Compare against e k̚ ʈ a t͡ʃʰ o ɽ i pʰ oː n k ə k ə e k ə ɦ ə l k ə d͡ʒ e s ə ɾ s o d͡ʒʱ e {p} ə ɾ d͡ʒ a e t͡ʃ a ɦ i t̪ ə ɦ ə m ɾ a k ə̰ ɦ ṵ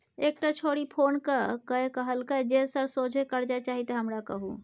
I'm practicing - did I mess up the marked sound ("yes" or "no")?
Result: yes